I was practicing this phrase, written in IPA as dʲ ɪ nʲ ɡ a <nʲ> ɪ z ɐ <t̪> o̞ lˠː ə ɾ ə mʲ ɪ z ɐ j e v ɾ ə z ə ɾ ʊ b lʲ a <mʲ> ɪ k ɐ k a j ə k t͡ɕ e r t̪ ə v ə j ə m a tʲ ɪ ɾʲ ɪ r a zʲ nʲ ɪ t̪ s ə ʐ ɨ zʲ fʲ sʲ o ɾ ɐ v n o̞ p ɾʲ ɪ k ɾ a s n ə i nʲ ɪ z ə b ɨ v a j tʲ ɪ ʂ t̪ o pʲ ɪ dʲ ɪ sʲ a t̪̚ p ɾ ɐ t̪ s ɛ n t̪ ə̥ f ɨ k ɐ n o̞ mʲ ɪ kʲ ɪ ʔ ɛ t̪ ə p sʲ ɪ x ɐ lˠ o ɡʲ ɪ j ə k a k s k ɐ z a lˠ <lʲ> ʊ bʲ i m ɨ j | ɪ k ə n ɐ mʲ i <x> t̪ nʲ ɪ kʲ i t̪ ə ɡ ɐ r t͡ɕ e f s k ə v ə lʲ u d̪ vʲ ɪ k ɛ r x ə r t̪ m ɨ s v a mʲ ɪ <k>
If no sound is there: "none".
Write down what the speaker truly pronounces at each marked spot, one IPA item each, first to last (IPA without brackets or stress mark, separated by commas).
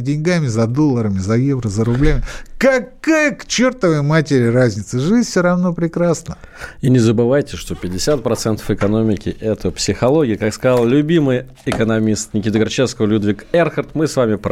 mʲ, d̪, mʲ, lʲ, s, p